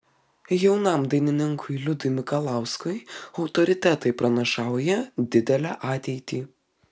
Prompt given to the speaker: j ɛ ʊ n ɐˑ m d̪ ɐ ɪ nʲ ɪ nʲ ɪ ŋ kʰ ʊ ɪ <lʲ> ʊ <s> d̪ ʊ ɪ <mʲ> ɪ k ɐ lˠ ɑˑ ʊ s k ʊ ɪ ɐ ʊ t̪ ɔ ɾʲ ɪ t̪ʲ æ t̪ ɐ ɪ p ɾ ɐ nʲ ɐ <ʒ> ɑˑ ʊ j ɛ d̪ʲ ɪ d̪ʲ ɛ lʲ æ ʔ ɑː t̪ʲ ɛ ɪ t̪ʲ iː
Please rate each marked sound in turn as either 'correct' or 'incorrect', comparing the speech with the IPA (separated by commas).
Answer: correct, incorrect, correct, incorrect